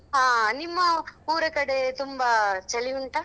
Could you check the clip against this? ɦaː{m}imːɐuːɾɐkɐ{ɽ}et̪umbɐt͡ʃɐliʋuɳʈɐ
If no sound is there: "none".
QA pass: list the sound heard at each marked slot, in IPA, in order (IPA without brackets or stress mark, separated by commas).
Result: n, ɽ